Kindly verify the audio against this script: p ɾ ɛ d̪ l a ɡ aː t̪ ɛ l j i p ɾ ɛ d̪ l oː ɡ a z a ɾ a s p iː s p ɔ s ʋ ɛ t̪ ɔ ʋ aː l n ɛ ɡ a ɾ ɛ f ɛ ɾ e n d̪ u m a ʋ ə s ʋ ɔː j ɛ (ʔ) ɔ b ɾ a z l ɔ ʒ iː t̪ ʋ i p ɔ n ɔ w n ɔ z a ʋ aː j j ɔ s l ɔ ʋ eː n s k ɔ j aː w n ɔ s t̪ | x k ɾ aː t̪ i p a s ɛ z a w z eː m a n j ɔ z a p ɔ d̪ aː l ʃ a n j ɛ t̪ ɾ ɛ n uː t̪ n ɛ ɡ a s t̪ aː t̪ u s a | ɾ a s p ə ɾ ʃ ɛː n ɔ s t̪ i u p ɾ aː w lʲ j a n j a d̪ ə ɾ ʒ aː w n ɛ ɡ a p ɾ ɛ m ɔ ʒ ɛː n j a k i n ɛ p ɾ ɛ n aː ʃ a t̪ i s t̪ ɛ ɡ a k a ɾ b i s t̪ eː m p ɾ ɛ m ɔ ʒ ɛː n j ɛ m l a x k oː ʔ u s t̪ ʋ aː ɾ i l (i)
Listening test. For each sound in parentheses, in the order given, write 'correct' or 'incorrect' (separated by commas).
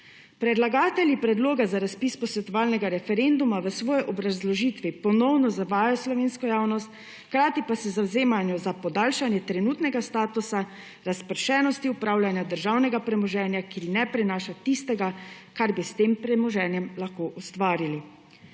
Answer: correct, correct